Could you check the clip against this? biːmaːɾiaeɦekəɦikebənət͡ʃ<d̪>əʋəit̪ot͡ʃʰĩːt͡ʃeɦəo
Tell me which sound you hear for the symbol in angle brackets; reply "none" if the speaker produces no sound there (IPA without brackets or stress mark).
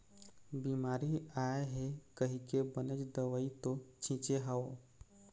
d̪